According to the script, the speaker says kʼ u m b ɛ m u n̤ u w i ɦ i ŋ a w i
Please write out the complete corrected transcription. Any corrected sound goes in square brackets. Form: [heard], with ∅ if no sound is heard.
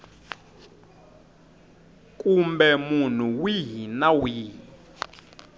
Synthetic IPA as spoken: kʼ u m b ɛ m u n̤ u w i ɦ i [n] a w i

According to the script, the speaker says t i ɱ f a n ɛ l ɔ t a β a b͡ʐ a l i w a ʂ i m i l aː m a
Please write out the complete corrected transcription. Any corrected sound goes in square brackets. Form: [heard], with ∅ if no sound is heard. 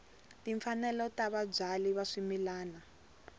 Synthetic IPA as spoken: t i ɱ f a n ɛ l ɔ t a β a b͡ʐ a l i [β] a ʂ i m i l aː [n] a

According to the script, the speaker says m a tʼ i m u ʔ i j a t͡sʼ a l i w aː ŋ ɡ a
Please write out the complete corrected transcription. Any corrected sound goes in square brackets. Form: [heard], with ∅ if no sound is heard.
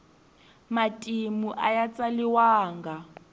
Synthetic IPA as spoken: m a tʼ i m u ʔ [a] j a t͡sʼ a l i w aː ŋ ɡ a

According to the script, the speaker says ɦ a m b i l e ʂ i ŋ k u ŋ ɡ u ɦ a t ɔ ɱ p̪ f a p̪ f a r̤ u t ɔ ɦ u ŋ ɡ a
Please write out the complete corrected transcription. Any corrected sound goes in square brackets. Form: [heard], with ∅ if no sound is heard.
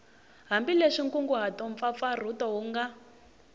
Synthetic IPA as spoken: ɦ a m b i l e ʂ i ŋ k u ŋ ɡ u ɦ a t ɔ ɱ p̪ f a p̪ f a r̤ u t ɔ ɦ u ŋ ɡ a

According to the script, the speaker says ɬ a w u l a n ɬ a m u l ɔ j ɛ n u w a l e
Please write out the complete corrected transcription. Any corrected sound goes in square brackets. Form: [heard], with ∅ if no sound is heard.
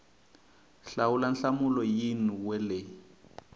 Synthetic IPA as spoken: ɬ a w u l a n ɬ a m u l ɔ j [i] n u w [ɛ] l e

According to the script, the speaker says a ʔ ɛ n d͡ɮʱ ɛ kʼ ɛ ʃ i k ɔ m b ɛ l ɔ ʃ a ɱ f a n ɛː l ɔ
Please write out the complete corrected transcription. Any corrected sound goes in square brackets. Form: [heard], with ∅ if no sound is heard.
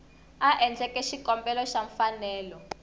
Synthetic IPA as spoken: a ʔ ɛ n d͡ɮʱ ɛ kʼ ɛ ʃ i k ɔ m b ɛ l ɔ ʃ a ɱ f a n ɛː l ɔ

